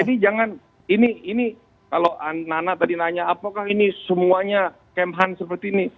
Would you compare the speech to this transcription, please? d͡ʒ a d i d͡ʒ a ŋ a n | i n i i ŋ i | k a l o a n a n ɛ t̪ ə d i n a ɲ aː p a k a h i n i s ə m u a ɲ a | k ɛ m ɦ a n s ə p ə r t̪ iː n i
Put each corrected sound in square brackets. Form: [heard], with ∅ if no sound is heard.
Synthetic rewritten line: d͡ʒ a d i d͡ʒ a ŋ a n | i n i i [n] i | k a l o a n a n [a] t̪ [a] d i n a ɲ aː p a k a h i n i s ə m u a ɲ a | k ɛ m ɦ a n s ə p ə r t̪ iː n i